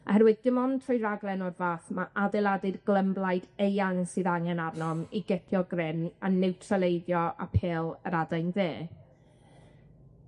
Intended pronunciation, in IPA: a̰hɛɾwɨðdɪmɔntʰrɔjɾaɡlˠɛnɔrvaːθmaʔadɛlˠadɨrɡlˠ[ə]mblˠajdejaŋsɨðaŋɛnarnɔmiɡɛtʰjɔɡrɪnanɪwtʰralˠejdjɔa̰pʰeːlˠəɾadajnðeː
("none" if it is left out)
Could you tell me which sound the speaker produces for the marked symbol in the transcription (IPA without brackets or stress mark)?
ə